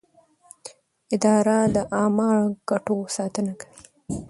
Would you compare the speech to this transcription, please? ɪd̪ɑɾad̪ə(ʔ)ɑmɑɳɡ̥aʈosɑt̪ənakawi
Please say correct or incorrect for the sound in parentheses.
correct